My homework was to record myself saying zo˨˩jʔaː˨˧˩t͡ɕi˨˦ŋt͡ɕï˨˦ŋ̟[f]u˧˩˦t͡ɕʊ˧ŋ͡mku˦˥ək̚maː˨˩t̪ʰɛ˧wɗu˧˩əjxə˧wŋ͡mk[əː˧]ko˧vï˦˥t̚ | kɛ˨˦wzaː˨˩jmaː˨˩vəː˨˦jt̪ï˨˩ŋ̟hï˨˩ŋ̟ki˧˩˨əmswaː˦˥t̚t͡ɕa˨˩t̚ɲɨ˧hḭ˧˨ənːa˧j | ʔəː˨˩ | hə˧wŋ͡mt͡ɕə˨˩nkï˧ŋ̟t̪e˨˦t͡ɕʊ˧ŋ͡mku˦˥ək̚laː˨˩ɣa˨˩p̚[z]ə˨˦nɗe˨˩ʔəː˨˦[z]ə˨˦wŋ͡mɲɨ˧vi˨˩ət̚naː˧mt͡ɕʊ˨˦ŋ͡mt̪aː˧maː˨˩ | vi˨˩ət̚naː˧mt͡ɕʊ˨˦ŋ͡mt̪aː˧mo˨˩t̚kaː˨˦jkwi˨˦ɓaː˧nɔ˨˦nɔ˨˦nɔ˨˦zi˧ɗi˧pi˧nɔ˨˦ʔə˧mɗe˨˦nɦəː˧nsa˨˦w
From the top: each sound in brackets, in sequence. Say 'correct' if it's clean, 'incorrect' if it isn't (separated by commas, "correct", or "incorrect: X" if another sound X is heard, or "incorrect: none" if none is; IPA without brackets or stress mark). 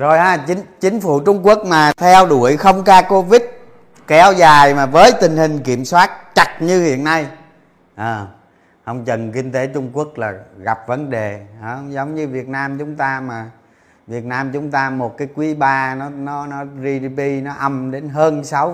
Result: correct, incorrect: aː˧, incorrect: v, correct